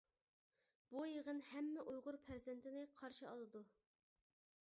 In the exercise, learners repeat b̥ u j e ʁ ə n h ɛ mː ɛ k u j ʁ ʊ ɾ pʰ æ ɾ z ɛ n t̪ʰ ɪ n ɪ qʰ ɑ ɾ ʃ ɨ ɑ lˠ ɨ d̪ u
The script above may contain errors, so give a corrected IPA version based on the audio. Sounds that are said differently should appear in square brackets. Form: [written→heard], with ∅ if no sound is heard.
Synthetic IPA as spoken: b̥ u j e ʁ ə n h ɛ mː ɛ [k→ʔ] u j ʁ ʊ ɾ pʰ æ ɾ z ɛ n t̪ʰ ɪ n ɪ qʰ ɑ ɾ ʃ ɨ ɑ lˠ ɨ d̪ u